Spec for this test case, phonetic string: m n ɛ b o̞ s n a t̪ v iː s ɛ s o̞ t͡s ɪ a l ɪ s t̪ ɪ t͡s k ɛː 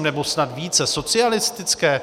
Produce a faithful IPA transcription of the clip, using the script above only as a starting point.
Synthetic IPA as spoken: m n ɛ b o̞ s n a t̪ v iː t͡s ɛ s o̞ t͡s ɪ a l ɪ s t̪ ɪ t͡s k ɛː